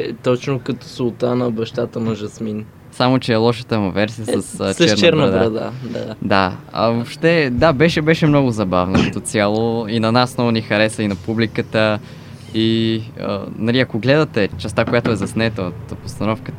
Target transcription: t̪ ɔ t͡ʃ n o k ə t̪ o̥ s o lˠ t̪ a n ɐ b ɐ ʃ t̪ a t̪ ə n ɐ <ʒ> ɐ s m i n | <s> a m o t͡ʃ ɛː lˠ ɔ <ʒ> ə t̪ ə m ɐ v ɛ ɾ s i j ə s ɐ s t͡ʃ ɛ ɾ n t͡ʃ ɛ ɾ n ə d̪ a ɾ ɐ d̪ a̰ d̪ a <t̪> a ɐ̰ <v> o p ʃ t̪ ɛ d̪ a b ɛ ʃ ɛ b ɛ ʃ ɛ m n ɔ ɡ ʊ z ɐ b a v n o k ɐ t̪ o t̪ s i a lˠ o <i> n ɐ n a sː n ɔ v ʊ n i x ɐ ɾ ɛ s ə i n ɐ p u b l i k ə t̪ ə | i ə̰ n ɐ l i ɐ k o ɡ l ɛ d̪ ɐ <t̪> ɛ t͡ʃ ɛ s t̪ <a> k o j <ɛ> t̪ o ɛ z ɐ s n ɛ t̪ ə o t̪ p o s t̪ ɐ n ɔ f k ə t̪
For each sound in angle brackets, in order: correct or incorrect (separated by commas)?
correct, correct, incorrect, incorrect, correct, correct, correct, correct, incorrect